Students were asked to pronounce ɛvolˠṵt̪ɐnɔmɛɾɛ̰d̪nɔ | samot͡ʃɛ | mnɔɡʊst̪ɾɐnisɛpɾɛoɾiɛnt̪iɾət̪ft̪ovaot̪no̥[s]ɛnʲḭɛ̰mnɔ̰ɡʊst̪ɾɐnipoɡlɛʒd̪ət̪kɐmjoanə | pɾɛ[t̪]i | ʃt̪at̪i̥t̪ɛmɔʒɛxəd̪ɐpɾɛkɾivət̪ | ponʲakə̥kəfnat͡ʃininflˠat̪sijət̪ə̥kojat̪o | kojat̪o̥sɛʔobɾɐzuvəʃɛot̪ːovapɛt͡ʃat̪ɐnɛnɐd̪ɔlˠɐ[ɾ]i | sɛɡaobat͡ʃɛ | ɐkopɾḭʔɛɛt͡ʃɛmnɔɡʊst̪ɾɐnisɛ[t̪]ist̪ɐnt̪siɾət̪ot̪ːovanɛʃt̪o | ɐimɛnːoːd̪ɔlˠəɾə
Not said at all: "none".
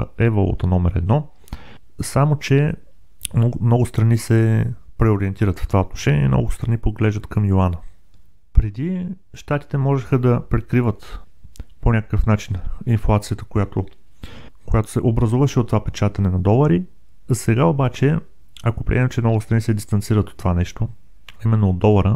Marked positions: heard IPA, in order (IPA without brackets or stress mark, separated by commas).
ʃ, d̪, ɾ, d̪